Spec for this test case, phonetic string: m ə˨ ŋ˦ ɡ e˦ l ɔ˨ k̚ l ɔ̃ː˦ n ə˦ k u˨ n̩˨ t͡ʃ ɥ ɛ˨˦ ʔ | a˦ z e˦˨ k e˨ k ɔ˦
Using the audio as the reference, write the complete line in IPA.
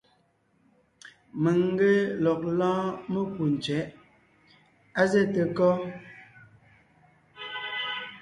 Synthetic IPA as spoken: m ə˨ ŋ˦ ɡ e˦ l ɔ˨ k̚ l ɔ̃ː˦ m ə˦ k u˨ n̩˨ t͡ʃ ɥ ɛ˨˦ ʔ | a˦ z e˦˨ t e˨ k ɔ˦